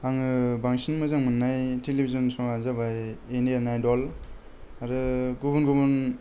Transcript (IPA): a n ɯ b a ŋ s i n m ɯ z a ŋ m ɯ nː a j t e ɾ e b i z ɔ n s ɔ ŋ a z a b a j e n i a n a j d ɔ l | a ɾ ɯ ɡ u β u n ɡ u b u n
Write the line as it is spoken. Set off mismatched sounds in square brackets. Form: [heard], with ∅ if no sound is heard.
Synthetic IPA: a [ŋ] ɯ b a ŋ s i n m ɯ z a ŋ m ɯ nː a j t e [l] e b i z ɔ n s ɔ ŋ a z a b a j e n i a n a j d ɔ l | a ɾ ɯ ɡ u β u n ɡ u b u n